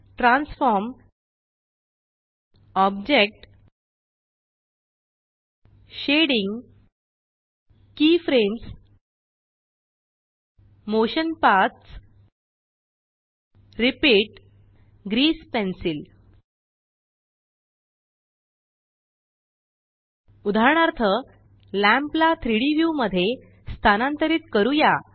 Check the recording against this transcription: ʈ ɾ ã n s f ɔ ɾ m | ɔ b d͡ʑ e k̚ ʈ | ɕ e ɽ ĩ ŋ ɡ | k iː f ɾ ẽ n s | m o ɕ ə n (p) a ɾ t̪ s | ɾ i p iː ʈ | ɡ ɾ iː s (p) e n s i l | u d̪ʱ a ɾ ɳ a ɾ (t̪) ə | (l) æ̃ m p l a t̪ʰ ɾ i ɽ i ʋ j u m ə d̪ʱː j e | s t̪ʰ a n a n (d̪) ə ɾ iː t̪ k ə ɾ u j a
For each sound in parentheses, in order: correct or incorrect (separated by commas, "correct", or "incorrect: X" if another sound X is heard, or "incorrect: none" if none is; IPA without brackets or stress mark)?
correct, correct, incorrect: t̪ʰ, correct, incorrect: t̪